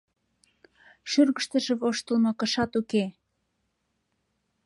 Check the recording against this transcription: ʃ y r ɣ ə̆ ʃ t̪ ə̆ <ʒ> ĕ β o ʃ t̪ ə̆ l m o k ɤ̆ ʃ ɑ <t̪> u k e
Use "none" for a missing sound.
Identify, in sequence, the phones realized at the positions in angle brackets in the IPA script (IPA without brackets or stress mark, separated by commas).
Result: ʒ, t̪